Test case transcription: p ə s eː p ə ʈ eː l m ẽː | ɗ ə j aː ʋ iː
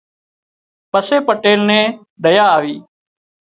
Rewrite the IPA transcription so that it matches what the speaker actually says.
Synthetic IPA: p ə s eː p ə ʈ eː l n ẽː | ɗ ə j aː ʋ iː